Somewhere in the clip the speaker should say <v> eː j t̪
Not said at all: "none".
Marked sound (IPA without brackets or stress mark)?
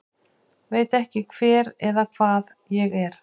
v